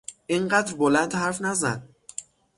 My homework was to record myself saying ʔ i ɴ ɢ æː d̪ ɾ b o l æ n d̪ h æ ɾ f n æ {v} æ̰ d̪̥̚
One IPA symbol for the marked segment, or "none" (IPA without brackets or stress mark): z